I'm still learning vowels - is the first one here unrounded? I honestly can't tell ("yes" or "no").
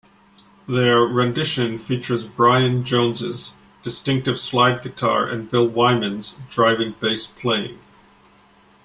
yes